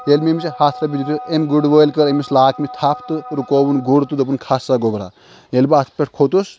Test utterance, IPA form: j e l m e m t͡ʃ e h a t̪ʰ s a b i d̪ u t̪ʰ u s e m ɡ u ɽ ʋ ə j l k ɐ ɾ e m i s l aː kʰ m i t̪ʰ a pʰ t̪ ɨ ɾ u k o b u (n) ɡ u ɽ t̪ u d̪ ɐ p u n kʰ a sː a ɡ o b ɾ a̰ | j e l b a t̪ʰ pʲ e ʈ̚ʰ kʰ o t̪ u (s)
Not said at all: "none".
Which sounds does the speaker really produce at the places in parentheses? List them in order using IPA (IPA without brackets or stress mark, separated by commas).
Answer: n, s